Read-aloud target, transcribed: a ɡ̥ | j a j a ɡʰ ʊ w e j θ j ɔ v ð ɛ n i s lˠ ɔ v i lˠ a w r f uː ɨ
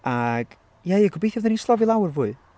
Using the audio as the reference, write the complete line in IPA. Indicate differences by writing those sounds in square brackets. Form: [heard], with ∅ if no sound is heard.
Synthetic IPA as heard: a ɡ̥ | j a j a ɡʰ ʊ [b] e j θ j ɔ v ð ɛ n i s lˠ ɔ v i lˠ a w r [v] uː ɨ